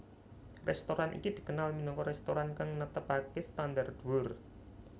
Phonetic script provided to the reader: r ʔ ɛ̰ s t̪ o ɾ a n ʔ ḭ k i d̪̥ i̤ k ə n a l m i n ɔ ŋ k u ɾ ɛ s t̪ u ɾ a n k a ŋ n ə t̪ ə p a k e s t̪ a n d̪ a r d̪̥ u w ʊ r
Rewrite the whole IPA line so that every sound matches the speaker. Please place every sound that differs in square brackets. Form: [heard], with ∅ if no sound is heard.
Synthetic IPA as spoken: r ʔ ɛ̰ s t̪ o ɾ a n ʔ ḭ k i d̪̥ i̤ k ə n a l m i n ɔ ŋ k [ɔ] ɾ ɛ s t̪ [o] ɾ a n k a ŋ n ə t̪ ə p a k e s t̪ a n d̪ a r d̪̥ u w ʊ r